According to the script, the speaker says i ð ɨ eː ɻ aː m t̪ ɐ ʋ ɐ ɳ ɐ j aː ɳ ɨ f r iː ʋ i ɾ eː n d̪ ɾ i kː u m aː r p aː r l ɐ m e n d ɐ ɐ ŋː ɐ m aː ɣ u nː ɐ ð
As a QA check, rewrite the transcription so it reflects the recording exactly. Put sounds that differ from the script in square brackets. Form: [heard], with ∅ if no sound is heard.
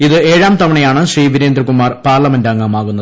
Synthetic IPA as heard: i ð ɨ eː ɻ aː m t̪ ɐ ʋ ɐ ɳ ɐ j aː ɳ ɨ [ɕ] r iː ʋ i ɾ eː n d̪ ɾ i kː u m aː r p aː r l ɐ m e n d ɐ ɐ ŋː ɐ m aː ɣ u nː ɐ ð